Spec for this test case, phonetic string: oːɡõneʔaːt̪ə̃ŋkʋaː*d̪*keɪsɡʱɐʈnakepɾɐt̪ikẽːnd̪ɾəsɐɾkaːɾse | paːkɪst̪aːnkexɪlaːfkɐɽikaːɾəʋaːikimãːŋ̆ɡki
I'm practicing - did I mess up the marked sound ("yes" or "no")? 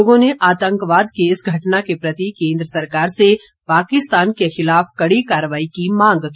no